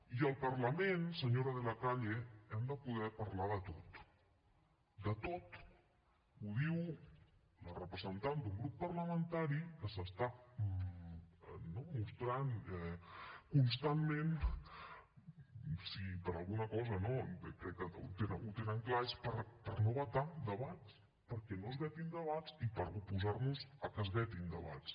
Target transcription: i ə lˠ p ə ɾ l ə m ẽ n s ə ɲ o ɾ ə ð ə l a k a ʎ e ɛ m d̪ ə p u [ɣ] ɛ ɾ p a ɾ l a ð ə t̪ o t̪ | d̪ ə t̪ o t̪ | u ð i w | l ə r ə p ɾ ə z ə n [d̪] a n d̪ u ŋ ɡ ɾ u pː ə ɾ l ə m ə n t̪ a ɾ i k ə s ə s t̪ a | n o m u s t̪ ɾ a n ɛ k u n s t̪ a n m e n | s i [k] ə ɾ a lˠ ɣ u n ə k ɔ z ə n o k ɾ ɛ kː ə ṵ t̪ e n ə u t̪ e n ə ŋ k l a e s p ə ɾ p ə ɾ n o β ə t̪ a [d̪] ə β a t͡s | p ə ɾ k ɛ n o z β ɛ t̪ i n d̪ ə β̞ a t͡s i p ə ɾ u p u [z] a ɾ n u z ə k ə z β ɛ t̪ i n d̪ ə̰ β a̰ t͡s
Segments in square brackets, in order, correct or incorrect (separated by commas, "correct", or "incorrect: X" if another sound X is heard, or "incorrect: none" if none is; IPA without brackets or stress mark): incorrect: ð, incorrect: t̪, incorrect: p, correct, correct